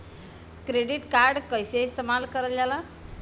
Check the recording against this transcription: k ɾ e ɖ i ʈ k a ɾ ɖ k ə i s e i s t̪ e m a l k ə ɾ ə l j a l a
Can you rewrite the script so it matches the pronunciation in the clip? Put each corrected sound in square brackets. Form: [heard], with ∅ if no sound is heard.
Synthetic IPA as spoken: k ɾ e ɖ i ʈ k a ɾ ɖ k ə [j] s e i s t̪ e m a l k ə ɾ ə l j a l a